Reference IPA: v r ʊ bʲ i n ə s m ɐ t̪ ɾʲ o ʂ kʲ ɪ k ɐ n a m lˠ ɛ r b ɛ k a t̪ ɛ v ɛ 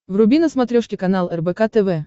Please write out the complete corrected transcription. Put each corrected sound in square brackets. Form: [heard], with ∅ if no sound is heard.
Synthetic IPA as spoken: v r ʊ bʲ i n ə s m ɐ t̪ ɾʲ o ʂ kʲ ɪ k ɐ n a [∅] lˠ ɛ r b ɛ k a t̪ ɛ v ɛ